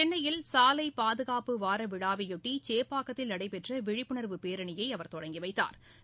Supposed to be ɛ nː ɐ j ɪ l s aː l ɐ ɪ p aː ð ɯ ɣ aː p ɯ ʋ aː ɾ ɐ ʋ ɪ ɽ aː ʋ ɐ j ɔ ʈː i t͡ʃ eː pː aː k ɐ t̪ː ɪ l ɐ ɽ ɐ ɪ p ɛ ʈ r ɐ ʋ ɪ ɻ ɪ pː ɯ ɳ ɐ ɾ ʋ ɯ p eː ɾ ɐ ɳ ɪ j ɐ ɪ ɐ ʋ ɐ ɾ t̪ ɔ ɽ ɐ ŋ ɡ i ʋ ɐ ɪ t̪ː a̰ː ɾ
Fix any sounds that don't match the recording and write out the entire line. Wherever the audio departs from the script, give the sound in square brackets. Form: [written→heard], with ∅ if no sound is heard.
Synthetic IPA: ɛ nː ɐ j ɪ l s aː l ɐ ɪ p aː ð ɯ ɣ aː p ɯ ʋ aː ɾ ɐ ʋ ɪ ɽ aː ʋ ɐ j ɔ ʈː i t͡ʃ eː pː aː k ɐ t̪ː ɪ l ɐ ɽ ɐ ɪ p ɛ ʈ r ɐ ʋ ɪ ɻ ɪ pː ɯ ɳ ɐ ɾ ʋ ɯ p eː ɾ ɐ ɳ ɪ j ɐ ɪ ɐ ʋ ɐ ɾ t̪ ɔ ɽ ɐ ŋ ɡ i ʋ ɐ ɪ t̪ː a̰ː ɾ